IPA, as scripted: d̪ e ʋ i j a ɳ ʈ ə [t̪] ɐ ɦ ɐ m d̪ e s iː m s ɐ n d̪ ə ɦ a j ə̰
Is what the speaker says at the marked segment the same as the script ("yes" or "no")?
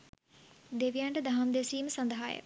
no